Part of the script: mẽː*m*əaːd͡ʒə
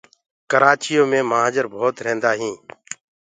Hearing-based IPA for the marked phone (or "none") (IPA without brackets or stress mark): m